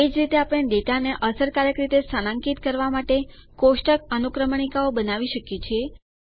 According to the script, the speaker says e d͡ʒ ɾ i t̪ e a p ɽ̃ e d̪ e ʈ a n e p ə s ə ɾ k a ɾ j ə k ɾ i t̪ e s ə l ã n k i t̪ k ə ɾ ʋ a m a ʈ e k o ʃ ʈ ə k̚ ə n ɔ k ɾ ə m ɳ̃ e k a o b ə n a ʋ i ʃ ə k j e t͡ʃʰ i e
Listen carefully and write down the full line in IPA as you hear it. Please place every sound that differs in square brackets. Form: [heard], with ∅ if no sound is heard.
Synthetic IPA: e d͡ʒ ɾ i t̪ e a p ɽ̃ e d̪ e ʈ a n e [ʔ] ə s ə ɾ k a ɾ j ə k ɾ i t̪ e s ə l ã [ŋ] k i t̪ k ə ɾ ʋ a m a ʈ e k o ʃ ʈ ə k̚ ə n [u] k ɾ ə m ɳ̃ [i] k a o b ə n a ʋ i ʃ ə k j e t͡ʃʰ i e